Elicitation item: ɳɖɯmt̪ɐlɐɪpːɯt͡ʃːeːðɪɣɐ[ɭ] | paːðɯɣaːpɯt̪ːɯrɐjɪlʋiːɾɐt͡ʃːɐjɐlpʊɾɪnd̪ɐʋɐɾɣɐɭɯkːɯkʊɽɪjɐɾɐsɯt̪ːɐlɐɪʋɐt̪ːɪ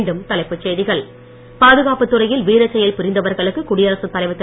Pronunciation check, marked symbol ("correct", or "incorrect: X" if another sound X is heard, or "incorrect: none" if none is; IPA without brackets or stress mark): correct